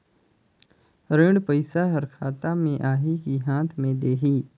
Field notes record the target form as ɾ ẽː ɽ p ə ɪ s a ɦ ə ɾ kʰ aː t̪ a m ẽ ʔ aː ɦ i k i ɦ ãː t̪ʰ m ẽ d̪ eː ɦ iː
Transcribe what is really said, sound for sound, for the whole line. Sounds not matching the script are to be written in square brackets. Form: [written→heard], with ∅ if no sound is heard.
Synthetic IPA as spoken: ɾ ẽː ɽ p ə ɪ s a ɦ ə ɾ kʰ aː t̪ a m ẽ ʔ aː ɦ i k i ɦ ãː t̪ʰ m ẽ d̪ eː ɦ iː